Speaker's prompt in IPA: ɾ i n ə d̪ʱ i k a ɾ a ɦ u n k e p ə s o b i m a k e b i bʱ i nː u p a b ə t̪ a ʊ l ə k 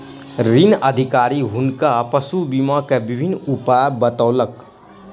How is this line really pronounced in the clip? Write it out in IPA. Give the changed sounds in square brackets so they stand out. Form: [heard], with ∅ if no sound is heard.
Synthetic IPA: ɾ i n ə d̪ʱ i k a ɾ [i] ɦ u n k [a] p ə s [u] b i m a k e b i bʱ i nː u p a b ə t̪ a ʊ l ə k

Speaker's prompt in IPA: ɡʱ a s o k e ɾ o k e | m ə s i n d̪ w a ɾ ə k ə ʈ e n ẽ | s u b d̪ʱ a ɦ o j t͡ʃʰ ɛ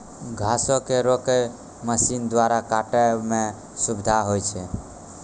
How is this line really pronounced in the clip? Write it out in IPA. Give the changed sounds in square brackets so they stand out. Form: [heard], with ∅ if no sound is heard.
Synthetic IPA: ɡʱ a s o k e ɾ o k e | m ə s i n d̪ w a ɾ [a] k [a] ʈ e [m] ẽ | s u b d̪ʱ a ɦ o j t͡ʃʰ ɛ

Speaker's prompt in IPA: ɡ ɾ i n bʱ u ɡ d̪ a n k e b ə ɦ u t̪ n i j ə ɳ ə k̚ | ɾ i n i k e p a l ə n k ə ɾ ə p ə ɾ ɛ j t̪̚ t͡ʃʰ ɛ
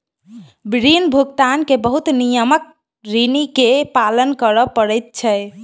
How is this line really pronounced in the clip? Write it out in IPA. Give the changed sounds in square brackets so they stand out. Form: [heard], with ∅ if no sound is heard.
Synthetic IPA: [b] ɾ i n bʱ u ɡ [t̪] a n k e b ə ɦ u t̪ n i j ə [m] ə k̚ | ɾ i n i k e p a l ə n k ə ɾ ə p ə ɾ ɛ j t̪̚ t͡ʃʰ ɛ

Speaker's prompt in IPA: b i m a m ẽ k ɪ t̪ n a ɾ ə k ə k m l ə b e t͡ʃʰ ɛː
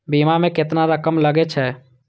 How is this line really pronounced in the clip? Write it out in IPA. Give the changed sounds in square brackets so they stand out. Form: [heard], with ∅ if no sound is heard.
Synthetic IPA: b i m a m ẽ k ɪ t̪ n a ɾ ə k ə [∅] m l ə [ɡ] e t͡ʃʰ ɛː

